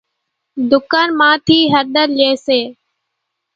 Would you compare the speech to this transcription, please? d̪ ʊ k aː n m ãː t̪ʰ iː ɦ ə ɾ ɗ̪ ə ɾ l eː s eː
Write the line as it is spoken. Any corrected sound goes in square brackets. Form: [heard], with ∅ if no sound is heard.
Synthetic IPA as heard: d̪ ʊ k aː n m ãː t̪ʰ iː ɦ ə ɾ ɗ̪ ə ɾ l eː s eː